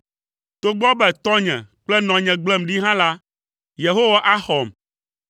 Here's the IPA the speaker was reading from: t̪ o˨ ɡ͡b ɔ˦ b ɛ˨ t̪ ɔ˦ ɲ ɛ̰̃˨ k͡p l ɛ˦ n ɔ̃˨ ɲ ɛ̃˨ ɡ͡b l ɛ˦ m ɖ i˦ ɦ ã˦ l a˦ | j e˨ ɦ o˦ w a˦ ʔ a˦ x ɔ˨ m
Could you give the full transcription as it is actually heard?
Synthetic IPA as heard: t̪ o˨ ɡ͡b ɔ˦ b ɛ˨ t̪ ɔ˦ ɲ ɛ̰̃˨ k͡p l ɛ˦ n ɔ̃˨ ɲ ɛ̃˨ ɡ͡b l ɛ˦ m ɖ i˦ ɦ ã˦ l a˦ | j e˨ ɦ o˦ w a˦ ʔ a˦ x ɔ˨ m